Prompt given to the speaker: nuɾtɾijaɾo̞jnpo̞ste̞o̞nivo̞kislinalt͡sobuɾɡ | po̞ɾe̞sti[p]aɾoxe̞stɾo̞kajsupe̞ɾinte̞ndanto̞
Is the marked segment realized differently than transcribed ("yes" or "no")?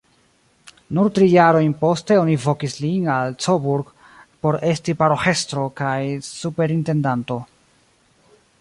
no